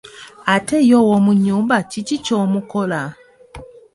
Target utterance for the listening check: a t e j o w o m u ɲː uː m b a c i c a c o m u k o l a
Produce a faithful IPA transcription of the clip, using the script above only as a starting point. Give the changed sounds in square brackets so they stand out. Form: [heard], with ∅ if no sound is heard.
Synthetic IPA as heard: a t e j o w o m u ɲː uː m b a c i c [i] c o m u k o l a